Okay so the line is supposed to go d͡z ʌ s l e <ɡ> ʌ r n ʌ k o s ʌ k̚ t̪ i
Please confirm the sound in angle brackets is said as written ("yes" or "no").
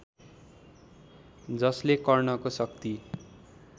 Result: no